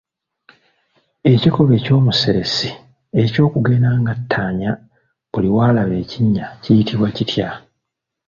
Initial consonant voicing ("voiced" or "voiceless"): voiceless